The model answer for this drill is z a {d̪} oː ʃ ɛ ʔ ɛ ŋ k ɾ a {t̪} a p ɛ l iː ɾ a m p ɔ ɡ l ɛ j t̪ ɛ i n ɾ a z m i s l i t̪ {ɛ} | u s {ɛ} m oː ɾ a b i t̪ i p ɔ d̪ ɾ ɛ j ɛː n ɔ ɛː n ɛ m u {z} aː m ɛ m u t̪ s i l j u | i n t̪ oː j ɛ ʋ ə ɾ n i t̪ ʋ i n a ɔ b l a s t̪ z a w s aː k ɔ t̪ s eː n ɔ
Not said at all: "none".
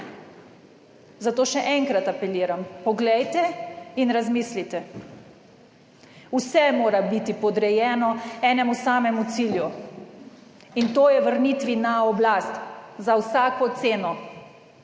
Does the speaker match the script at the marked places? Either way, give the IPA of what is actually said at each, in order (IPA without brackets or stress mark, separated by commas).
t̪, t̪, ɛ, ɛ, s